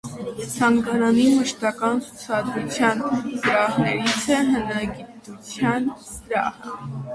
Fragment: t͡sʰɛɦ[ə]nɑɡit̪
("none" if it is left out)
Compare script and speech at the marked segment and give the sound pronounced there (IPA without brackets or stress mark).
ə